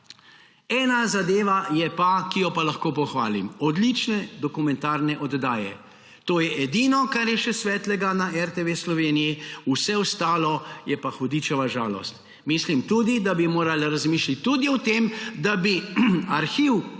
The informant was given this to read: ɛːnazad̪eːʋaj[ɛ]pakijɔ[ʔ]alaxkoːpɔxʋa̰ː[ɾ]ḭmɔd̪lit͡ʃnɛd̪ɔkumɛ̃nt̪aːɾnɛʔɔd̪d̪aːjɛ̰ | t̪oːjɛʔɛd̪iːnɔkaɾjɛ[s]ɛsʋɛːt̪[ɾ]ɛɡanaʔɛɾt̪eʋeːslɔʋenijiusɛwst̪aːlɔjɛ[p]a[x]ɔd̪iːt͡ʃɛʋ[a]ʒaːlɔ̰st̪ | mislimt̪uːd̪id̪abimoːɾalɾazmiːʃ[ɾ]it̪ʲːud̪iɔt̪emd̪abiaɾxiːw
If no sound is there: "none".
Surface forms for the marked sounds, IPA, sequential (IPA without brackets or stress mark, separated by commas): ɛ, p, l, ʃ, l, p, x, a, l